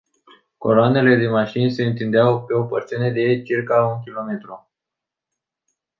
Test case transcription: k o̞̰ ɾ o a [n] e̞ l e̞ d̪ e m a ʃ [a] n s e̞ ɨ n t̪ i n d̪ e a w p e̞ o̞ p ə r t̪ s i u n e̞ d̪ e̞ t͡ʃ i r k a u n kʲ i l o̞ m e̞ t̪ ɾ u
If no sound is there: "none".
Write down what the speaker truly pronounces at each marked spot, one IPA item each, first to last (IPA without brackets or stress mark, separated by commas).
n, i